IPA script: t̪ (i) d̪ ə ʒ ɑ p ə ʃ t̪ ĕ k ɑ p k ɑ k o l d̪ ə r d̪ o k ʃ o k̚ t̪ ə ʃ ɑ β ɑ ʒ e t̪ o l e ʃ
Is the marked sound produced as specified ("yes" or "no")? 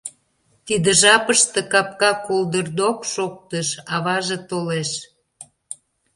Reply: yes